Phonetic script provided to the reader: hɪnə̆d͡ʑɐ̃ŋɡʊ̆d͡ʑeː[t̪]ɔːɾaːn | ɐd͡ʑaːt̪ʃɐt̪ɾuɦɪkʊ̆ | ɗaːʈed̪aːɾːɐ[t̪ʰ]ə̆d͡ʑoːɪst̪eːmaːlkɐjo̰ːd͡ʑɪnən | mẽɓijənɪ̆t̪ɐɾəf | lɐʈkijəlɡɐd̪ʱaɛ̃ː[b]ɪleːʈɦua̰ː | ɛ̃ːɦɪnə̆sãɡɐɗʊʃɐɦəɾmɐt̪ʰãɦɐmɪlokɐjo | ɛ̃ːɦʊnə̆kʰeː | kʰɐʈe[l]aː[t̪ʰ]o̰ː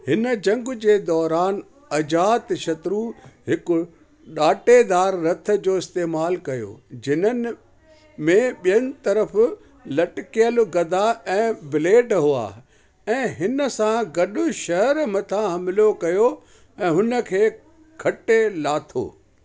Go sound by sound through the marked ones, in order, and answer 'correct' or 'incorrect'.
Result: incorrect: d̪, correct, correct, correct, correct

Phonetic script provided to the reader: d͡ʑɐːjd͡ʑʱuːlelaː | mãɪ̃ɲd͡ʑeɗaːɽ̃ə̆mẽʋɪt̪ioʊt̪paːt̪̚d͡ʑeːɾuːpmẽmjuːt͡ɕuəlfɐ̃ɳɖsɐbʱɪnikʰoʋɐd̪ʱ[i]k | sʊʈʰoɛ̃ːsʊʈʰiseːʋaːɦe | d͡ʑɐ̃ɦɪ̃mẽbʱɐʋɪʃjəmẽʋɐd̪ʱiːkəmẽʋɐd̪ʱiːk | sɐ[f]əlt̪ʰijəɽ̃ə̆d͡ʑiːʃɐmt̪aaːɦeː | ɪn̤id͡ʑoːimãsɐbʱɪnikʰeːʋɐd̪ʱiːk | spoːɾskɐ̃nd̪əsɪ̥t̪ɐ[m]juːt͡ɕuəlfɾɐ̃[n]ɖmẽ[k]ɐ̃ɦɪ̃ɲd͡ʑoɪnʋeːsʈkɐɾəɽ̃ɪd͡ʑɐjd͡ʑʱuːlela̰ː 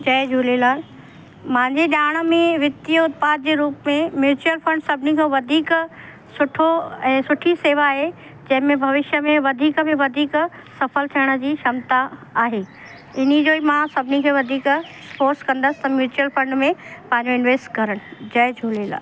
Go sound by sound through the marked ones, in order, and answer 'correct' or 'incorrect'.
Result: incorrect: iː, correct, correct, incorrect: ɳ, incorrect: p

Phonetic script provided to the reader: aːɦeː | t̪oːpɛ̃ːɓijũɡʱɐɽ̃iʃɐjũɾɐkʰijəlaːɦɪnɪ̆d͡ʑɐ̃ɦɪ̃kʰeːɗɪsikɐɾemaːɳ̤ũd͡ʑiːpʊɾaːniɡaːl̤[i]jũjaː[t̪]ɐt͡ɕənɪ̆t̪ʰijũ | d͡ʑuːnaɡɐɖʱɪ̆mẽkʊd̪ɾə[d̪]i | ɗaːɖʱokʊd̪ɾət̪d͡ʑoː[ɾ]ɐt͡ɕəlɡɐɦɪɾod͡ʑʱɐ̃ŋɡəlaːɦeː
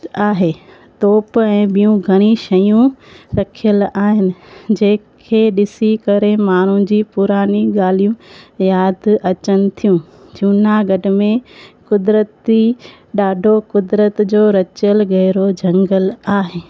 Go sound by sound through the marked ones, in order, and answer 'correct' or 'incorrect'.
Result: correct, incorrect: d̪, incorrect: t̪, correct

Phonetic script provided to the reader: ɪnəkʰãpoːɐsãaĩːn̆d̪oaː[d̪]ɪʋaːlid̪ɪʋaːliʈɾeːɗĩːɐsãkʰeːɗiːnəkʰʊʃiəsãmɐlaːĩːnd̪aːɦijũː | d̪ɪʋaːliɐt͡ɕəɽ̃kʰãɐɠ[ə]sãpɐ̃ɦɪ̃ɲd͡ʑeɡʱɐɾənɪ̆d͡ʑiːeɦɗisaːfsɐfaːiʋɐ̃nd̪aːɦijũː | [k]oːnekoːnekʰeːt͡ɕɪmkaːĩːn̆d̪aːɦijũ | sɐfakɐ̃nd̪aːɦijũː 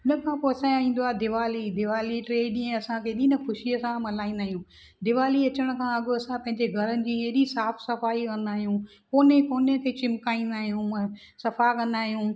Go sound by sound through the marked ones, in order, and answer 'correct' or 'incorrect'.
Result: correct, incorrect: ɐ, correct

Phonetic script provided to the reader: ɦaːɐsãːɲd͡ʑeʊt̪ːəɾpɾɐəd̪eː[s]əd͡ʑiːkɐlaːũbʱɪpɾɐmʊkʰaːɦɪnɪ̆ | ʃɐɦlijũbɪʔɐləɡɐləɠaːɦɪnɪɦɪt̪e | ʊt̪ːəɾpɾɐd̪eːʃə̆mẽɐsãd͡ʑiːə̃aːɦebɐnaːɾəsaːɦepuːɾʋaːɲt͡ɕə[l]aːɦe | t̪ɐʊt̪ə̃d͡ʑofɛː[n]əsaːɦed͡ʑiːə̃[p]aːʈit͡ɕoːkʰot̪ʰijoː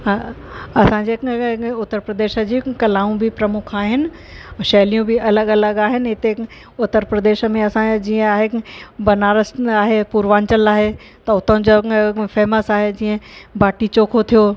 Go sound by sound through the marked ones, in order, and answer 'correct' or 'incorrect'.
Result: incorrect: ʃ, correct, incorrect: m, incorrect: b

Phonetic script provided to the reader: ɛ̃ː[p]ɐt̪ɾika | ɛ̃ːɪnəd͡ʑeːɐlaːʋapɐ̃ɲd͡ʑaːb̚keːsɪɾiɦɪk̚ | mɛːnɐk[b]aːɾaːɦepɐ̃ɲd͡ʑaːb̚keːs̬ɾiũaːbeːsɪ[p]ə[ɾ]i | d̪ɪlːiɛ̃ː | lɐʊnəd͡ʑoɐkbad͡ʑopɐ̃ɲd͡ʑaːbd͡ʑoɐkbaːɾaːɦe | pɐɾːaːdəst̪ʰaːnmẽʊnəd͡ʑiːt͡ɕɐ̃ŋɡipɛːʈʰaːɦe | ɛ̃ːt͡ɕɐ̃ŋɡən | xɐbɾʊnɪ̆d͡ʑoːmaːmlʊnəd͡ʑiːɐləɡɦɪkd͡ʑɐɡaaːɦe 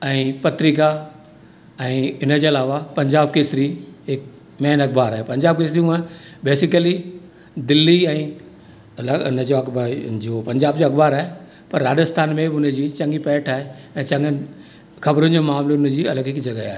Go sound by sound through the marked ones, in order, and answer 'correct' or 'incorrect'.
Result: correct, correct, incorrect: k, incorrect: l

